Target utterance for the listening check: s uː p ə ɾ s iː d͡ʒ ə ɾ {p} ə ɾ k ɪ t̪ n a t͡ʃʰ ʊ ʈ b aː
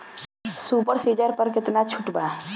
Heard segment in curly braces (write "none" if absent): p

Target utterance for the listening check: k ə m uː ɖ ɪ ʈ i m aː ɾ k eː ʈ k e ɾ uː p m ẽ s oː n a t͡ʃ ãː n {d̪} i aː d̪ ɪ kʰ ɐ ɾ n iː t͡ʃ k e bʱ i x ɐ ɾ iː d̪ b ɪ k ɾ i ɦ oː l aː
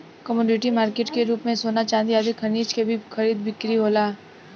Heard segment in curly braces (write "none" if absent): d̪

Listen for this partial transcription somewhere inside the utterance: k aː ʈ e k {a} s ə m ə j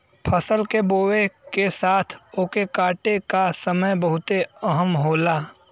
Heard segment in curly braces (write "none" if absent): a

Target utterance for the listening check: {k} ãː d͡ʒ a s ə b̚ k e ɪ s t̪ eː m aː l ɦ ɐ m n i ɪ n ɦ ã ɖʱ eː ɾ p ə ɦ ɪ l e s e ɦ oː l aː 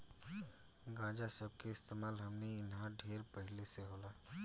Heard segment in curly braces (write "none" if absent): ɡ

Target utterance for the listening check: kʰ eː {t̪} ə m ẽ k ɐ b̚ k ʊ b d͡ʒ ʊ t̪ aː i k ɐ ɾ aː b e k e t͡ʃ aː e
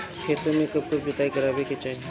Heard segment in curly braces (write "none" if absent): t̪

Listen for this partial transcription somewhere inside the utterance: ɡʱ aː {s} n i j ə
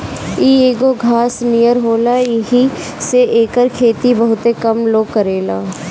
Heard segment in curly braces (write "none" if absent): s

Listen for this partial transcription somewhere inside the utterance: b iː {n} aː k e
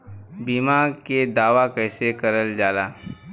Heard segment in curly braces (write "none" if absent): m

